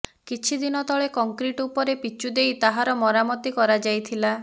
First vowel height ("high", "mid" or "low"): high